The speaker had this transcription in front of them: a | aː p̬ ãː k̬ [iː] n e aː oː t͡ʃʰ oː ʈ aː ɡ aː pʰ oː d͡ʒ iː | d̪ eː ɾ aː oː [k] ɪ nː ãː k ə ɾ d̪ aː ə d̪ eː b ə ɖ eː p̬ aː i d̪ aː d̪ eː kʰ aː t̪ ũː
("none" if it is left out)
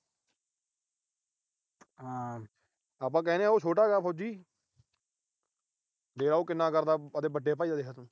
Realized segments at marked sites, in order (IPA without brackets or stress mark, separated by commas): ɛː, k